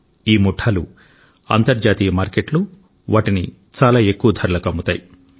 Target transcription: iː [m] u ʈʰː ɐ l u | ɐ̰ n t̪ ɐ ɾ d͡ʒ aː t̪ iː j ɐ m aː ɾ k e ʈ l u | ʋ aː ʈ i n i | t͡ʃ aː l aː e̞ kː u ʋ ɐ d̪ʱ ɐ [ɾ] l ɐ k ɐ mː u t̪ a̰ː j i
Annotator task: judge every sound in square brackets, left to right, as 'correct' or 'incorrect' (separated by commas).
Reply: correct, correct